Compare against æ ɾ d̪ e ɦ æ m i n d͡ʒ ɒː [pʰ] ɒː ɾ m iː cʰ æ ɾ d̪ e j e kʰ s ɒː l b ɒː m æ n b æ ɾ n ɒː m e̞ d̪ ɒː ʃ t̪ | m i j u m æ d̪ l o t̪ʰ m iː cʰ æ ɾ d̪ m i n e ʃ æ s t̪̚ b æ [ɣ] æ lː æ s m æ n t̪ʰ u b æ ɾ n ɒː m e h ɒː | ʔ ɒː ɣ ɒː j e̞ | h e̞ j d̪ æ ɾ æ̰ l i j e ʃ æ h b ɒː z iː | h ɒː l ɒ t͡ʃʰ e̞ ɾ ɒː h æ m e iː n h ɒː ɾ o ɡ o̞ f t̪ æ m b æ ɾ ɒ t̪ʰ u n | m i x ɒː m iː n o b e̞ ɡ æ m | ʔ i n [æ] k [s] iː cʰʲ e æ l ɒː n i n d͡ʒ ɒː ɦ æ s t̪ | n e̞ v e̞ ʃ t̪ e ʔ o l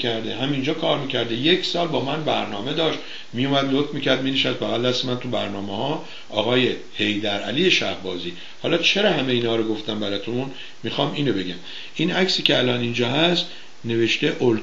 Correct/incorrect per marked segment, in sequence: incorrect: kʰ, correct, correct, correct

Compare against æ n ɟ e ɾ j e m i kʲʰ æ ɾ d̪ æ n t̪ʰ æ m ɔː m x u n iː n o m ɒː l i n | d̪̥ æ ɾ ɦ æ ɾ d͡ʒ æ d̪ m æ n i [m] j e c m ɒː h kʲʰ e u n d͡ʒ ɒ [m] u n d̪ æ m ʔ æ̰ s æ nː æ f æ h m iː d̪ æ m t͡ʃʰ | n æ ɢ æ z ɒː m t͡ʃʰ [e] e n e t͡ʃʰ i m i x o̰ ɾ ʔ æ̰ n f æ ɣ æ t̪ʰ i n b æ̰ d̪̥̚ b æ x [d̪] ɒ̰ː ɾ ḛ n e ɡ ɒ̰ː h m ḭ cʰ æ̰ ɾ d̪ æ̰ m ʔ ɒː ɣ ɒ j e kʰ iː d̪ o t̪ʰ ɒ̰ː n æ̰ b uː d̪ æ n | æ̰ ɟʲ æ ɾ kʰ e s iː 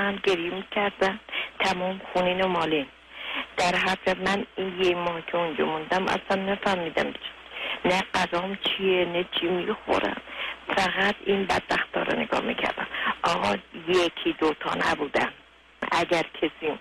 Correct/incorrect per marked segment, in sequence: incorrect: n, correct, incorrect: i, incorrect: t̪

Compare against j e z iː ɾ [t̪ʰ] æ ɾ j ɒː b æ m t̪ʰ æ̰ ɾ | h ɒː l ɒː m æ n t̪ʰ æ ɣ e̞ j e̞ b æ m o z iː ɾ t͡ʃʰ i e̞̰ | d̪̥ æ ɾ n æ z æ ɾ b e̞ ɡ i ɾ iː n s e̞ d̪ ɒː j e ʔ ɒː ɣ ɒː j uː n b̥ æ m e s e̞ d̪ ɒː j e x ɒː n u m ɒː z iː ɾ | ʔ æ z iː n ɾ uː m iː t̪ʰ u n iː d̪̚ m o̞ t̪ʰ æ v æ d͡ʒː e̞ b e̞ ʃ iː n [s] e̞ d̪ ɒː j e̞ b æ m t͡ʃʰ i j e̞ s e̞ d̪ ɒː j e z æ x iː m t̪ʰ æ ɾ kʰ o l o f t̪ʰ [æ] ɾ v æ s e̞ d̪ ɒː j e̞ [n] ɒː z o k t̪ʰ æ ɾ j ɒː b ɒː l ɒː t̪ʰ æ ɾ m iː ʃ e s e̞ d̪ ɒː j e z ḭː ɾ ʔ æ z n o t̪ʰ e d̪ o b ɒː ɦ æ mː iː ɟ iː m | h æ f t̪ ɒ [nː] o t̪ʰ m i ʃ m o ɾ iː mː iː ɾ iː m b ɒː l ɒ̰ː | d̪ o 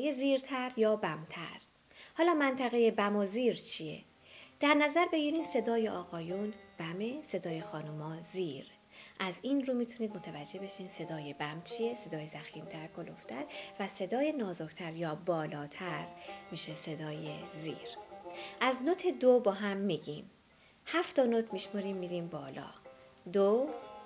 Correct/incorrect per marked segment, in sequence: correct, correct, correct, correct, incorrect: n

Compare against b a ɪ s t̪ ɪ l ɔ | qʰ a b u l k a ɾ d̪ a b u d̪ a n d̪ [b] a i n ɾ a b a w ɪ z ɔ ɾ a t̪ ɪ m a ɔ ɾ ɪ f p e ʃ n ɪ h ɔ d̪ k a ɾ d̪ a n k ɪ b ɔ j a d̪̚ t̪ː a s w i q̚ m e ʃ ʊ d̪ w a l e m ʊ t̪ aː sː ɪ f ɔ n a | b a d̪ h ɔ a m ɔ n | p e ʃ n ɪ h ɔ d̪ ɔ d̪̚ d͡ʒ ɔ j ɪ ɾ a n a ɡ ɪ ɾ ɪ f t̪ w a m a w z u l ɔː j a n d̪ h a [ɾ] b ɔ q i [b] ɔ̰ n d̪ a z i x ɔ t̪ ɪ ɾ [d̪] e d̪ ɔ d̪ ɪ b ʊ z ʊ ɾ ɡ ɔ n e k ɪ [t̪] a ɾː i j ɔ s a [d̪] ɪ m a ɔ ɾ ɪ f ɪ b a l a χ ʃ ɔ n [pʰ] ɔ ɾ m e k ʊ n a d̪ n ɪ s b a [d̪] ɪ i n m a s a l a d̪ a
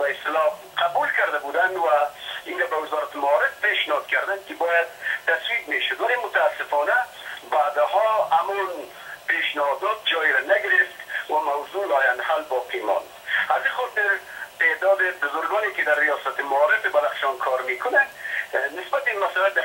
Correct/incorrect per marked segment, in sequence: incorrect: w, incorrect: l, incorrect: m, incorrect: t̪, incorrect: d̪, incorrect: t̪, incorrect: kʰ, incorrect: t̪

